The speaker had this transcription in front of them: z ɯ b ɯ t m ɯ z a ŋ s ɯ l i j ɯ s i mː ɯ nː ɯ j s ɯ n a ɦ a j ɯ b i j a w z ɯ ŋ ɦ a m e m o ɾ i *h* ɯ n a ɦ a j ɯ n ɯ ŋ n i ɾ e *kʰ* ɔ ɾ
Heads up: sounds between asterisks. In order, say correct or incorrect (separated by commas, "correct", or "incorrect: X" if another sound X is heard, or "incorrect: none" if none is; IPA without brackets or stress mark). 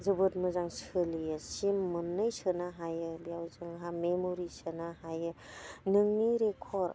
incorrect: s, correct